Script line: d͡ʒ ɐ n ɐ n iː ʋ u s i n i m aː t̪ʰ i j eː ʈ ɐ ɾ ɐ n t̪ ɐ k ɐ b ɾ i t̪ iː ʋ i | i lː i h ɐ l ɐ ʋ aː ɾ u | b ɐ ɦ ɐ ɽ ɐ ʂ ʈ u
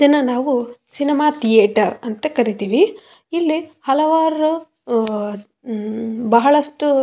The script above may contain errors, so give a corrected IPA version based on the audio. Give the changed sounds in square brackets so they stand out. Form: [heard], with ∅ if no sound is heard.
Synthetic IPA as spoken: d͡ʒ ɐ n ɐ n [aː] ʋ u s i n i m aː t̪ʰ i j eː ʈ ɐ ɾ ɐ n t̪ ɐ k ɐ [∅] ɾ i t̪ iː ʋ i | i lː i h ɐ l ɐ ʋ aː ɾ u | b ɐ ɦ ɐ [ɭ] ɐ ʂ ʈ u